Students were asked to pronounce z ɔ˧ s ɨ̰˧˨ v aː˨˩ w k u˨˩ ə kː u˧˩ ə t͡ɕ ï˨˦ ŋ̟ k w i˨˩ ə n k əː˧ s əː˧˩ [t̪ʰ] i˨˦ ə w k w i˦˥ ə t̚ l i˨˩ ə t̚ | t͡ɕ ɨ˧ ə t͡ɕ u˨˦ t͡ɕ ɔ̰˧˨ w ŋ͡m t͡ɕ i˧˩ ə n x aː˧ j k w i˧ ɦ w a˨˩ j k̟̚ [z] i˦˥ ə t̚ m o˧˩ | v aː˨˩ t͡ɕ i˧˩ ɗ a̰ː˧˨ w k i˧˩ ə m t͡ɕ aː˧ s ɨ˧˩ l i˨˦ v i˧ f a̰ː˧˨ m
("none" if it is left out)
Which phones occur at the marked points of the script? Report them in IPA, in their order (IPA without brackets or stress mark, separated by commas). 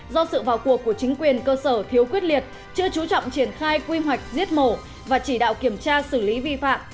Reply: t̪ʰ, z